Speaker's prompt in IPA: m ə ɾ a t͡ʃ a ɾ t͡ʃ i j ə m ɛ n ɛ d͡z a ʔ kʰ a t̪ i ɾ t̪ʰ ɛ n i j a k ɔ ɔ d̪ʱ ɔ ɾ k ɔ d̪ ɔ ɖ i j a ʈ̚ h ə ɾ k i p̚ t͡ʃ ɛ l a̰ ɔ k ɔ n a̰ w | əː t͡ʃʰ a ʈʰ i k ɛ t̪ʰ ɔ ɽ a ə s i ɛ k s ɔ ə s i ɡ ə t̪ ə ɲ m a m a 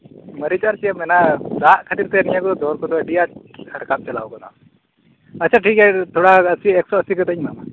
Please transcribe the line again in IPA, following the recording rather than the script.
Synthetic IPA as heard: m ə ɾ i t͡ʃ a ɾ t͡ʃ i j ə m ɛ n a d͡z a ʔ kʰ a t̪ i ɾ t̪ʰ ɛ n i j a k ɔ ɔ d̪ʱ ɔ ɾ k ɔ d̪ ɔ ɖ i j a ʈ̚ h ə ɾ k a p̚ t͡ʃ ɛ l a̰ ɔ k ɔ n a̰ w | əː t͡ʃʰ a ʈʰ i k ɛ t̪ʰ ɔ ɽ a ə s i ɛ k s ɔ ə s i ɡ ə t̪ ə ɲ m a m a